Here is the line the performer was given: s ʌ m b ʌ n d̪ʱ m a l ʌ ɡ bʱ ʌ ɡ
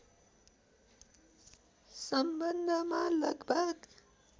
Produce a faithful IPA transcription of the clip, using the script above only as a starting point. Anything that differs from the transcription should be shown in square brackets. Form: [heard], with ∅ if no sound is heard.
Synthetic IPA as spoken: s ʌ m b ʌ n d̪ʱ m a l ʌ ɡ bʱ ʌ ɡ